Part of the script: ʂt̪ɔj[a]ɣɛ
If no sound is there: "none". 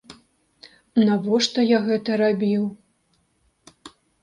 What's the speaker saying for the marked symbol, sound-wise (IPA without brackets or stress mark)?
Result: a